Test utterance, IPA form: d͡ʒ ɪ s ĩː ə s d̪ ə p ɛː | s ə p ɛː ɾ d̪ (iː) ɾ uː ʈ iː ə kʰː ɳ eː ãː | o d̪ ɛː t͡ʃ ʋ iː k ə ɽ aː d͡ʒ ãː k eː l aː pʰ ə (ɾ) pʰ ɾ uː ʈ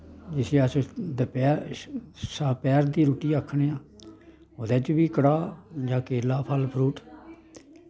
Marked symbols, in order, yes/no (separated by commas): yes, no